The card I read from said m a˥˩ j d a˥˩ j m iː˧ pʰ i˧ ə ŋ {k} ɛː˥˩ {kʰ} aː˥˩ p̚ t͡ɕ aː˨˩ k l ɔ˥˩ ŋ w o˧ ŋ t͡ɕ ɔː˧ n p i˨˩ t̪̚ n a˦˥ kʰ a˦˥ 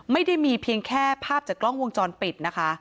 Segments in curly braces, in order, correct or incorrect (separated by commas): incorrect, incorrect